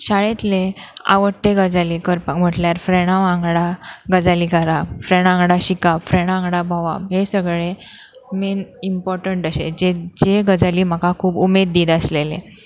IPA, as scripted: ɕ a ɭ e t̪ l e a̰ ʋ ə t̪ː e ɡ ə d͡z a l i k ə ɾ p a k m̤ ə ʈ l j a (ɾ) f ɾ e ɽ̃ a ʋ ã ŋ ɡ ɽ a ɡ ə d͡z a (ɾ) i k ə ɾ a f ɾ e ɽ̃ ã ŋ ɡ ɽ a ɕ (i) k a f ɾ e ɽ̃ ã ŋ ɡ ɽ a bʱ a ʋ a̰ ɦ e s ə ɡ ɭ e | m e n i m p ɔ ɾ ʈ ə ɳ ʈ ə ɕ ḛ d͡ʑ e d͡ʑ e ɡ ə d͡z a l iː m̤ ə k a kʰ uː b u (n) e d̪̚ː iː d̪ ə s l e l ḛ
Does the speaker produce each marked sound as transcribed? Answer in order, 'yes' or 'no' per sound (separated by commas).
yes, no, yes, no